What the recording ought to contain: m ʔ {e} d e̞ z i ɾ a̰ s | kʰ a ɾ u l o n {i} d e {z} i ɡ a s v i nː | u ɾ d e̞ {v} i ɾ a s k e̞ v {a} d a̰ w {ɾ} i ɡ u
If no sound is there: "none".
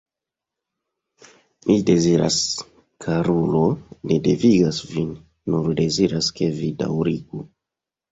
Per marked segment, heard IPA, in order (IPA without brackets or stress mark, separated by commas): i, e, v, z, i, ɾ